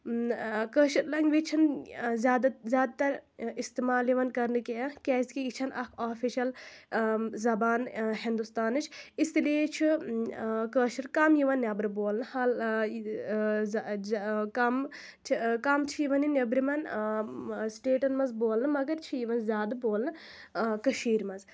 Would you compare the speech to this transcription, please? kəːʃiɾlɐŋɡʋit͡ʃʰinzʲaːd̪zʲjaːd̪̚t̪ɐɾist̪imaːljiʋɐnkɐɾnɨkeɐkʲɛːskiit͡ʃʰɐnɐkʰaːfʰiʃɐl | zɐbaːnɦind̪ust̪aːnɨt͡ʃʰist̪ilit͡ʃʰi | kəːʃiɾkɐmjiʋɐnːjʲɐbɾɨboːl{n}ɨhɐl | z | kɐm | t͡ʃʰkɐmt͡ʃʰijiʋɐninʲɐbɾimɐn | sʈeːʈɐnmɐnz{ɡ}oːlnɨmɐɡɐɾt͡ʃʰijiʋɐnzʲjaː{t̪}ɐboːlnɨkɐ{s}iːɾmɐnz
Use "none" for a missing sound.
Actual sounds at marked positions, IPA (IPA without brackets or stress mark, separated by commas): n, b, d̪, ʃ